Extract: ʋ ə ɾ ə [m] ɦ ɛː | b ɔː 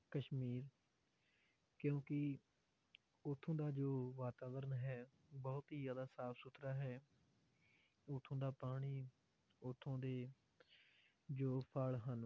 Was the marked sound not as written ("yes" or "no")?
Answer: yes